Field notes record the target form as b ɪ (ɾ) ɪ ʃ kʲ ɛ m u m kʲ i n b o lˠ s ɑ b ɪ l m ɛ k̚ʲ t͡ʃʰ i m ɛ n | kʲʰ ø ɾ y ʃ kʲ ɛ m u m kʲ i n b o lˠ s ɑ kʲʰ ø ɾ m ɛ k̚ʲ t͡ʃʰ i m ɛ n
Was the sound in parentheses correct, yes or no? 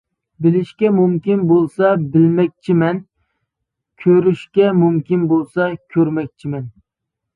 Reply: no